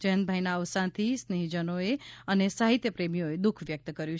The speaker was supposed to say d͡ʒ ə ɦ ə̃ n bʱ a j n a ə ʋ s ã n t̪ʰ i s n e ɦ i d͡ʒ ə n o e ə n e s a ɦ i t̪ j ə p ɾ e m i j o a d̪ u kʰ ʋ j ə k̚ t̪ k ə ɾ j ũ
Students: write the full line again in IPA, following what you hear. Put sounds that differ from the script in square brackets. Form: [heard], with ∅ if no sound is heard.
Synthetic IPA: d͡ʒ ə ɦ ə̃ n bʱ a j n a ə ʋ s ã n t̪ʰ i s n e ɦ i d͡ʒ ə n o e ə n e s a ɦ i t̪ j ə p ɾ e m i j o [e] d̪ u kʰ ʋ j ə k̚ t̪ k ə ɾ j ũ

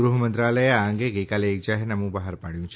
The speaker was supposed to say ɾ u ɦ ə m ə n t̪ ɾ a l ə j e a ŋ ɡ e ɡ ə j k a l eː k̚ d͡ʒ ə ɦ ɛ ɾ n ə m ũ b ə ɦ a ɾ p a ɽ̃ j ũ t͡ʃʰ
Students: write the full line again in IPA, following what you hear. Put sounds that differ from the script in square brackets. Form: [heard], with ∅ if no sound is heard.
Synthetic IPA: ɾ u ɦ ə m ə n t̪ ɾ a l ə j e a ŋ ɡ e ɡ ə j k a l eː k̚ d͡ʒ [a] ɦ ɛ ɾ n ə m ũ b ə ɦ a ɾ p a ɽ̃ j ũ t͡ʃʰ

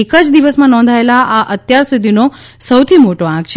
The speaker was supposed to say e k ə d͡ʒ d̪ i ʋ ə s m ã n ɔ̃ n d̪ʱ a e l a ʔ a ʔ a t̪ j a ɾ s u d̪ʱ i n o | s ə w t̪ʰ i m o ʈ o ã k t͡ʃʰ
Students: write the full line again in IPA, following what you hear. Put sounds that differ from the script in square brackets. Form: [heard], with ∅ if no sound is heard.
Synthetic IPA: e k ə d͡ʒ d̪ i ʋ ə s m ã n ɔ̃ n d̪ʱ a e l a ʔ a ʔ [ə] t̪ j a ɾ s u d̪ʱ i n o | s ə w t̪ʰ i m o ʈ o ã k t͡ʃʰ

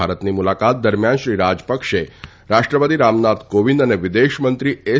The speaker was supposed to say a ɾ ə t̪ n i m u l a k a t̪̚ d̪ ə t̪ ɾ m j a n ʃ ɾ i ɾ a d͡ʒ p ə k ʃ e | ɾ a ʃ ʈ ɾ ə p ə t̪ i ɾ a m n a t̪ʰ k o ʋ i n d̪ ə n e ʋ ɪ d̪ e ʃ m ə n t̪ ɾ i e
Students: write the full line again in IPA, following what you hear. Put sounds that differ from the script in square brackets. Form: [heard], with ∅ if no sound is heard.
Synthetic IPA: a ɾ ə t̪ n i m u l a k a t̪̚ d̪ ə [∅] ɾ m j a n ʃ ɾ i ɾ a d͡ʒ p ə k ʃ e | ɾ a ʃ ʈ ɾ ə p ə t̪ i ɾ a m n a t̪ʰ k o ʋ i n d̪ ə n e ʋ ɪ d̪ e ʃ m ə n t̪ ɾ i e

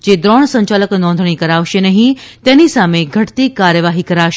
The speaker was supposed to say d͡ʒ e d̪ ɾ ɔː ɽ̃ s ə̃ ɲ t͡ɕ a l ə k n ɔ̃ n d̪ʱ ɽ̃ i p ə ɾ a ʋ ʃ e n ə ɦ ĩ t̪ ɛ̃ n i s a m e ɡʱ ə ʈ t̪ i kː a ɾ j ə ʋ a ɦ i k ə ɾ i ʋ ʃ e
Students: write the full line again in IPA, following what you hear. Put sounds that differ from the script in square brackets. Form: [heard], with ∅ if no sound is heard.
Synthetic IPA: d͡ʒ e d̪ ɾ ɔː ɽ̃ s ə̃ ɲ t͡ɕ a l ə k n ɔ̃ n d̪ʱ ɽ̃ i [k] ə ɾ a ʋ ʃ e n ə ɦ ĩ t̪ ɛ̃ n i s a m e ɡʱ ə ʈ t̪ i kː a ɾ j ə ʋ a ɦ i k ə ɾ [a] ʋ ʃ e

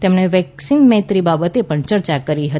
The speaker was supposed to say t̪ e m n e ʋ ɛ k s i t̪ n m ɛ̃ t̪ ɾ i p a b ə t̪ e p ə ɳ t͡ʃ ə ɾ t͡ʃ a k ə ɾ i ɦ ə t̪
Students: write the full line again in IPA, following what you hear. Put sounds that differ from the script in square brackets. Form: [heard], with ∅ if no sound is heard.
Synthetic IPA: t̪ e m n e ʋ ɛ k s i [∅] n m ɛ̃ t̪ ɾ i [b] a b ə t̪ e p ə ɳ t͡ʃ ə ɾ t͡ʃ a k ə ɾ i ɦ ə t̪

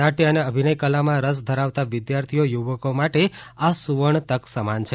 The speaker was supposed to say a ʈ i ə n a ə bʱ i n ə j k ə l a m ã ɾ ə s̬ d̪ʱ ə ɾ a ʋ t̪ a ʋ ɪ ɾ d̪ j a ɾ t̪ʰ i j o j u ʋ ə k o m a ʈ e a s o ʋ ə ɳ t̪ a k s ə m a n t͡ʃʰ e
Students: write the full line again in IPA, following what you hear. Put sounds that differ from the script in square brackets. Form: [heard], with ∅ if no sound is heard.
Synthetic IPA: a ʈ i ə n [e] ə bʱ i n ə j k ə l a m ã ɾ ə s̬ d̪ʱ ə ɾ a ʋ t̪ a ʋ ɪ [∅] d̪ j a ɾ t̪ʰ i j o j u ʋ ə k o m a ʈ e a s [u] ʋ ə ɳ t̪ [ə] k s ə m a n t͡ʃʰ e

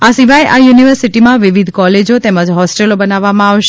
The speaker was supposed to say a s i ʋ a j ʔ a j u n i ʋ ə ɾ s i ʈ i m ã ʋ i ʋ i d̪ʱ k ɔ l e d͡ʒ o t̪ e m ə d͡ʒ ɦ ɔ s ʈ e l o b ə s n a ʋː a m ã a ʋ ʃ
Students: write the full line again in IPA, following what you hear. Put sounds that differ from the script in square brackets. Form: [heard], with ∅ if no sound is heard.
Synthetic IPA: a s i ʋ a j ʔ a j u n i ʋ ə ɾ s i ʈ i m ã ʋ i ʋ i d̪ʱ k ɔ l e d͡ʒ o t̪ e m ə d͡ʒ ɦ ɔ s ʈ e l o b ə [∅] n a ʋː a m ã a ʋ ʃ

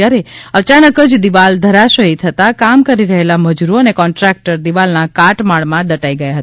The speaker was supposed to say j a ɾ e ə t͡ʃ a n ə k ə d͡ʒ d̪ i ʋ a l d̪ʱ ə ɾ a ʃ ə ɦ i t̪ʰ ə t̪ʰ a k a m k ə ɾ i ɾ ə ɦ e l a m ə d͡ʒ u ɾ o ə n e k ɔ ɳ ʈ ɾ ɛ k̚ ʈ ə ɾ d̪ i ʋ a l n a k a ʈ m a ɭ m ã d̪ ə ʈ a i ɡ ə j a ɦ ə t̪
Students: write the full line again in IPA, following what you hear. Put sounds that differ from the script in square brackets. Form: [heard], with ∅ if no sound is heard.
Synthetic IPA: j a ɾ e ə t͡ʃ a n ə k ə d͡ʒ d̪ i ʋ a l d̪ʱ ə ɾ a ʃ ə ɦ i t̪ʰ ə [t̪] a k a m k ə ɾ i ɾ ə ɦ e l a m ə d͡ʒ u ɾ o ə n e k ɔ ɳ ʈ ɾ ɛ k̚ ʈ ə ɾ d̪ i ʋ a l n a k a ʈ m a ɭ m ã d̪ ə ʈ a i ɡ ə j a ɦ ə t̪

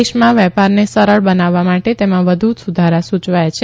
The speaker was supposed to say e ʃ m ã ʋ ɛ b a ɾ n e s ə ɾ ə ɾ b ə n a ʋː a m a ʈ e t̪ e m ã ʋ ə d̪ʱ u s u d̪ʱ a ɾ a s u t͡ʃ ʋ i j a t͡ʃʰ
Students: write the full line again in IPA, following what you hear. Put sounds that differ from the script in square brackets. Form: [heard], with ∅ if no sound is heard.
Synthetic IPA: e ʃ m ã ʋ ɛ [p] a ɾ n e s ə ɾ ə [ɭ] b ə n a ʋː a m a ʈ e t̪ e m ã ʋ ə d̪ʱ u s u d̪ʱ a ɾ a s u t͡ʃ ʋ [a] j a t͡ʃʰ

